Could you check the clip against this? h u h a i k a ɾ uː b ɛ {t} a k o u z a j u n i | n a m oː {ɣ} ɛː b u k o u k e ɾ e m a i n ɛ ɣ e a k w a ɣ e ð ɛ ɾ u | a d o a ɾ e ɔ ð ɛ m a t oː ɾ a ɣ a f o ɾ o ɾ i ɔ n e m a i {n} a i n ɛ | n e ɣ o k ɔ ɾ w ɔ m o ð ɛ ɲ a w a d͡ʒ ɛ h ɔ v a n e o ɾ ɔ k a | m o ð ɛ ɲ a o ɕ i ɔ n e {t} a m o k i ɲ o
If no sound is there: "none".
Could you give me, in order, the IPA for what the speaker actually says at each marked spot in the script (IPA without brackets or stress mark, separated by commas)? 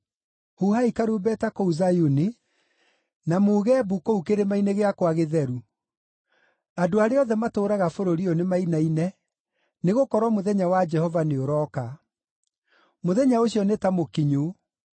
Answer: t, ɣ, n, t